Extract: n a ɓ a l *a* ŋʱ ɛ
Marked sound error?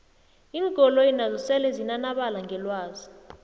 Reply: no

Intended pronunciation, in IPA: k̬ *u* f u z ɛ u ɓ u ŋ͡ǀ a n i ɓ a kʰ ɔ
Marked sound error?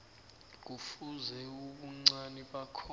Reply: no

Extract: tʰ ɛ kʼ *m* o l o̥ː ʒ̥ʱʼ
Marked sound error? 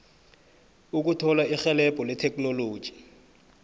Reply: yes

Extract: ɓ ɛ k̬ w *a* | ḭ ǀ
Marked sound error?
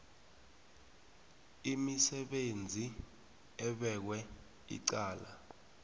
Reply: yes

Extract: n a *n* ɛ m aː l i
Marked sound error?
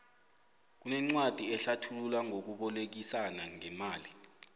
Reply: yes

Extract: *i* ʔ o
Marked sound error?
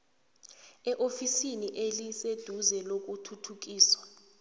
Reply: yes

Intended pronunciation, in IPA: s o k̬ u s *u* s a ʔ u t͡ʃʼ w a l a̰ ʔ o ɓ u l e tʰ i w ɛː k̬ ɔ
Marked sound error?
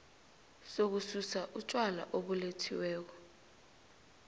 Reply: no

